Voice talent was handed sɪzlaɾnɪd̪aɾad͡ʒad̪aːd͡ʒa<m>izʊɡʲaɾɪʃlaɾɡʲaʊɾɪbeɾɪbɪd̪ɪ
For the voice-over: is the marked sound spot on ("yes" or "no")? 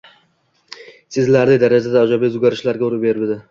no